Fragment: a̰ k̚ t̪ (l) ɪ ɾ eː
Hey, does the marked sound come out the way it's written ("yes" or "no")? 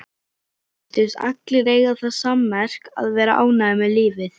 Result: yes